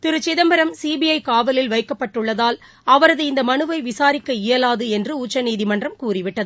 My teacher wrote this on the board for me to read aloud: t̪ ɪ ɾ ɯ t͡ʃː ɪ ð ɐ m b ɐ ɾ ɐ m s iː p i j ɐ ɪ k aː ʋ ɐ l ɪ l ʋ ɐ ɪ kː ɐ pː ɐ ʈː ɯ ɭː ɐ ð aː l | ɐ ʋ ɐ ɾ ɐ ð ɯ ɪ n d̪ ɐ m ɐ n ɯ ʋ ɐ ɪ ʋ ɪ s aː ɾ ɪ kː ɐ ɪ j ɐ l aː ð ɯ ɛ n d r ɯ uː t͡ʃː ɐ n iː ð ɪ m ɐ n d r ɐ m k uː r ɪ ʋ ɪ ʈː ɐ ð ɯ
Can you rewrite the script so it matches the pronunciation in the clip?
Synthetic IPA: t̪ ɪ ɾ ɯ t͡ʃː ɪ ð ɐ m b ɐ ɾ ɐ m s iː b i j ɐ ɪ k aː ʋ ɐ l ɪ l ʋ ɐ ɪ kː ɐ pː ɐ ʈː ɯ ɭː ɐ ð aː l | ɐ ʋ ɐ ɾ ɐ ð ɯ ɪ n d̪ ɐ m ɐ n ɯ ʋ ɐ ɪ ʋ ɪ s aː ɾ ɪ kː ɐ ɪ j ɐ l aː ð ɯ ɛ n d r ɯ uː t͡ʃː ɐ n iː ð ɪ m ɐ n d r ɐ m k uː r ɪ ʋ ɪ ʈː ɐ ð ɯ